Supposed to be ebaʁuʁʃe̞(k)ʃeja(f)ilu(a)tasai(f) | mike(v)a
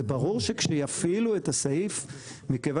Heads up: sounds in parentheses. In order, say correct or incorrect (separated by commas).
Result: correct, correct, incorrect, correct, correct